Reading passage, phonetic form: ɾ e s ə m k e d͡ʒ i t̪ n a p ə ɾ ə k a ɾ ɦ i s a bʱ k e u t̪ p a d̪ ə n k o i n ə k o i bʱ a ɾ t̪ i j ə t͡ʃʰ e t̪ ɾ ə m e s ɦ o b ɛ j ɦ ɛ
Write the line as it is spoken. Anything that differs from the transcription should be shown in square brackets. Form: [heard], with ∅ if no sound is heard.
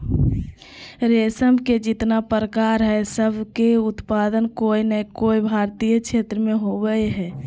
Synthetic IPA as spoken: ɾ e s ə m k e d͡ʒ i t̪ n a p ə ɾ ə k a ɾ ɦ [ɛ] s [ə] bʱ k e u t̪ p a d̪ ə n k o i n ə k o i bʱ a ɾ t̪ i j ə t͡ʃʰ e t̪ ɾ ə m e [∅] ɦ o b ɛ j ɦ ɛ